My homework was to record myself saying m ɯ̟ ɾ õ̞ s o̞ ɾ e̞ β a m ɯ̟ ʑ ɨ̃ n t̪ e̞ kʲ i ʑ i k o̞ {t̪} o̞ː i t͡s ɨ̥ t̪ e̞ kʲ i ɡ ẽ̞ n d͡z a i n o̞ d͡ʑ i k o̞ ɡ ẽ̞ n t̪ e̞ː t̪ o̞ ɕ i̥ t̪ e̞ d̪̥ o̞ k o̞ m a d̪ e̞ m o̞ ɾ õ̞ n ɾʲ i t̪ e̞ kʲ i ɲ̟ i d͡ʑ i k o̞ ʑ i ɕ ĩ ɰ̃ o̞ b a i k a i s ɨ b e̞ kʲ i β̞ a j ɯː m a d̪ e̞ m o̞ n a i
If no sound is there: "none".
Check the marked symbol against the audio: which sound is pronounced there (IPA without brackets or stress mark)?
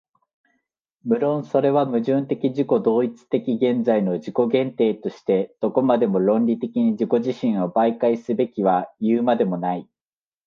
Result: d̪